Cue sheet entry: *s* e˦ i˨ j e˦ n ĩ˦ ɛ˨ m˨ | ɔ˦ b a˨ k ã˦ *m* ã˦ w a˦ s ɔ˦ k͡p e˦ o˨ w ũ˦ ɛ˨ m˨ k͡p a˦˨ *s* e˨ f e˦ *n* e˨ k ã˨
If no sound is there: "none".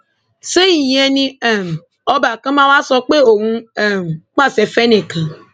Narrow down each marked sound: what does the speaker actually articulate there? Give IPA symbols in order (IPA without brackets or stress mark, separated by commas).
s, m, s, n